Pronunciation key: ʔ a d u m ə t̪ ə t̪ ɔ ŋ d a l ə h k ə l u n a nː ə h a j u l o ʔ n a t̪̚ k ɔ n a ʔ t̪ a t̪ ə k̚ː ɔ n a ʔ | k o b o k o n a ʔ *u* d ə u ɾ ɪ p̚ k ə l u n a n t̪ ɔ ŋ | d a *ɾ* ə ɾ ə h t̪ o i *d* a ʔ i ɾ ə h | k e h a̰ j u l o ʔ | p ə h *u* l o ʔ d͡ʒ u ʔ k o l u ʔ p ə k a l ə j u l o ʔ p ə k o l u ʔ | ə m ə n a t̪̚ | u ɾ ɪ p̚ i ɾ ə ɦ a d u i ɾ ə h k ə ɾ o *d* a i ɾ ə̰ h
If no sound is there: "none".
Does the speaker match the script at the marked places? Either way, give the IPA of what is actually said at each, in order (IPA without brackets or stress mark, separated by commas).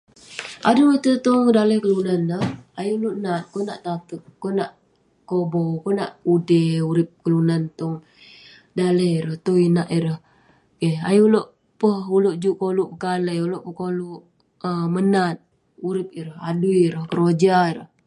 u, l, n, u, d͡ʒ